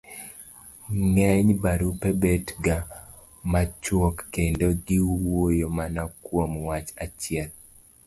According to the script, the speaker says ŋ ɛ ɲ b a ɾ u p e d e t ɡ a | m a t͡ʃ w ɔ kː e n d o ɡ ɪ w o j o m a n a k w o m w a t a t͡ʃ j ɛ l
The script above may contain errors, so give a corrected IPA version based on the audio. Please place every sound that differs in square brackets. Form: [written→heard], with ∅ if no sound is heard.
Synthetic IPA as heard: ŋ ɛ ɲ b a ɾ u p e [d→b] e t ɡ a | m a t͡ʃ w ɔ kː e n d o ɡ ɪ w o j o m a n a k w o m w a [t→t͡ʃ] a t͡ʃ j ɛ l